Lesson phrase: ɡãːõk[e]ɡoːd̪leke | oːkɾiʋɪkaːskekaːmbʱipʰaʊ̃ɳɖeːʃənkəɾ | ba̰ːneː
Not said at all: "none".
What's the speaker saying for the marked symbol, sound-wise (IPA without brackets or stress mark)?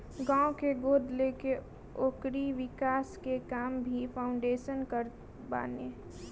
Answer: e